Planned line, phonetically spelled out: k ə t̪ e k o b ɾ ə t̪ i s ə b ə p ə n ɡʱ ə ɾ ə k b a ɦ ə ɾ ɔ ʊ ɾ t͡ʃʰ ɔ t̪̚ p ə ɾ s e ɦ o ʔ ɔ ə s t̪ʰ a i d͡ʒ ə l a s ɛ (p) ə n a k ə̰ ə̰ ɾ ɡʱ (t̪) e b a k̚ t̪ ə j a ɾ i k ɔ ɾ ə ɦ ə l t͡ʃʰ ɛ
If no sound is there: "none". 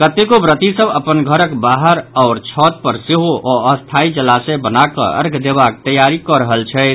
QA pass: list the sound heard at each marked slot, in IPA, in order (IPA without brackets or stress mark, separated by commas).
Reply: b, d̪